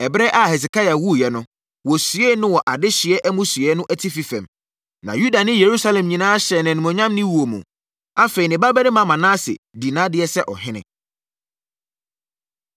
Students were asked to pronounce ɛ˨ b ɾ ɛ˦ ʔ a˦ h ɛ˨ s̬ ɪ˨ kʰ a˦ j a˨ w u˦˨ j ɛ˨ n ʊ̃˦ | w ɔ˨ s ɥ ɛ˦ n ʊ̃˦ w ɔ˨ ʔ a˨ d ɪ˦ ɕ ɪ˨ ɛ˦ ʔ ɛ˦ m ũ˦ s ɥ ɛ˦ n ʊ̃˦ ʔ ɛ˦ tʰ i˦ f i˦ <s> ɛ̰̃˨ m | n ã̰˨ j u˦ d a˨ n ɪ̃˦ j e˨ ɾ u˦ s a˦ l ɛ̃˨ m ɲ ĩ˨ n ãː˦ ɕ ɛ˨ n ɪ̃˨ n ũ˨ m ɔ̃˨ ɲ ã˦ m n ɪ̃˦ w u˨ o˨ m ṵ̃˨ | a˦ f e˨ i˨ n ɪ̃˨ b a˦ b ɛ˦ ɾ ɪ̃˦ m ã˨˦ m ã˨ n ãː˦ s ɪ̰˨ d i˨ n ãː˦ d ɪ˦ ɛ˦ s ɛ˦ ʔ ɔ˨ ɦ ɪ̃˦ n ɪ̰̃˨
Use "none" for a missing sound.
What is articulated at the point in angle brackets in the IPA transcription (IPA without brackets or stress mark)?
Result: f